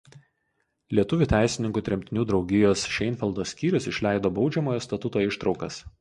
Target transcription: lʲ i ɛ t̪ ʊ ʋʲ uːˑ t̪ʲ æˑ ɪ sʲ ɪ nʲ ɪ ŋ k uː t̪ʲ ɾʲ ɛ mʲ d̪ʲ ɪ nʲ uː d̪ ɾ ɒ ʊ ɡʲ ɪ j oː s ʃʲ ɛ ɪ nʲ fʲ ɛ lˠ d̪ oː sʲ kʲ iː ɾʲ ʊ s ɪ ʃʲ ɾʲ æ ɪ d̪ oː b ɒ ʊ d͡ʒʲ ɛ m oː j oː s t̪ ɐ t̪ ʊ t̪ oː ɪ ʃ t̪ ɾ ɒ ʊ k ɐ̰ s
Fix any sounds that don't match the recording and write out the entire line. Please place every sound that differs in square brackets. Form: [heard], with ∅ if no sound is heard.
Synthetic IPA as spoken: lʲ i ɛ t̪ ʊ ʋʲ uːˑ t̪ʲ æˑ ɪ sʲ ɪ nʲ ɪ ŋ k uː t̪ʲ ɾʲ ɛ mʲ [t̪ʲ] ɪ nʲ uː d̪ ɾ ɒ ʊ ɡʲ ɪ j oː s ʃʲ ɛ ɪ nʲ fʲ ɛ lˠ d̪ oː sʲ kʲ iː ɾʲ ʊ s ɪ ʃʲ [lʲ] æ ɪ d̪ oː b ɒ ʊ d͡ʒʲ ɛ m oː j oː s t̪ ɐ t̪ ʊ t̪ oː ɪ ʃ t̪ ɾ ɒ ʊ k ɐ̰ s